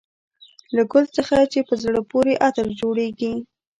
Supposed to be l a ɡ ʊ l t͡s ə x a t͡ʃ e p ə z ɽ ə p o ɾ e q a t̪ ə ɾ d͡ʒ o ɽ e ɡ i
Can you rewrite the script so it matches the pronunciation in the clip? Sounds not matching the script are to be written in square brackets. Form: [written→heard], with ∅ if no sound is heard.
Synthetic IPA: l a ɡ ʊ l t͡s ə x a t͡ʃ e p ə z ɽ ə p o ɾ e [q→ʔ] a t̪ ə ɾ d͡ʒ o ɽ e ɡ i